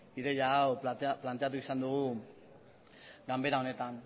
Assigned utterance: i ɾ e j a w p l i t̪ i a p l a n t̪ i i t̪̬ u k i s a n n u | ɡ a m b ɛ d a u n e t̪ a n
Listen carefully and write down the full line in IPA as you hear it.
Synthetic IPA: i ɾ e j a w p l a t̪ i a p l a n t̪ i a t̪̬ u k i s a n d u | ɡ a m b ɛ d a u n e t̪ a n